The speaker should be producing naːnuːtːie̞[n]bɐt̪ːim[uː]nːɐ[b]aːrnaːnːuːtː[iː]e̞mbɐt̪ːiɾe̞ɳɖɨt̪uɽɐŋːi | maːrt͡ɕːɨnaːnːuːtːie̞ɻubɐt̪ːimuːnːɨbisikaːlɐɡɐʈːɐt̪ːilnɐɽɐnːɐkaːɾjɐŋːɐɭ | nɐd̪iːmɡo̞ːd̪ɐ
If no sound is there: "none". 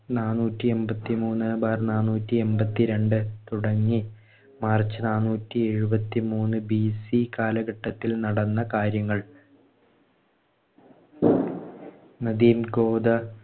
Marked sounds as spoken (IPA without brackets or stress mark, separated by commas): m, uː, b, i